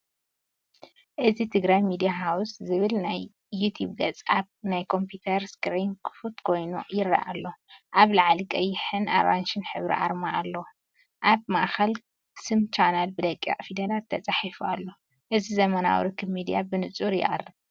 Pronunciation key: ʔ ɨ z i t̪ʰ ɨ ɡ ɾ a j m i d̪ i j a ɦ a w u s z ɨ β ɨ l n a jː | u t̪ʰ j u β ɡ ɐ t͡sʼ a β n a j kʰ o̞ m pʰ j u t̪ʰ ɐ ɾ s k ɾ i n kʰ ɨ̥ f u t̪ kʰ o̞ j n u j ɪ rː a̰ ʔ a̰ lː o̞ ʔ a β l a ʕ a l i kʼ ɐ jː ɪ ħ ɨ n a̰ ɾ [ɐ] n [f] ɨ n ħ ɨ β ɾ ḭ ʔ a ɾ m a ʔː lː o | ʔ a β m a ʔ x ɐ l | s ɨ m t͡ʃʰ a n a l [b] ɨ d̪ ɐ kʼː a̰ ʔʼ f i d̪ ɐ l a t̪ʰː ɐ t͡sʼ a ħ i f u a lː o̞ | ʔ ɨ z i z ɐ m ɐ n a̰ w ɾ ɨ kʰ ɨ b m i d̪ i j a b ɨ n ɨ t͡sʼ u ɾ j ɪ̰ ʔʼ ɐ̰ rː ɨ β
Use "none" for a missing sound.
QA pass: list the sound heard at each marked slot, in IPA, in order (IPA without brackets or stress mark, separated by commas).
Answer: a, ʃ, b